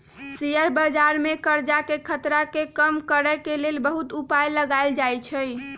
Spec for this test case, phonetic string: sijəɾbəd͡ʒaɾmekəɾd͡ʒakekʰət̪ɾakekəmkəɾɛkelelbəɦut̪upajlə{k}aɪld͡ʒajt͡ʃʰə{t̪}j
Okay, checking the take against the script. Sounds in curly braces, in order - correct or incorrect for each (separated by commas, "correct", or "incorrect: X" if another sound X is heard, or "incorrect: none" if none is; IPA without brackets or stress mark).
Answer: incorrect: ɡ, incorrect: none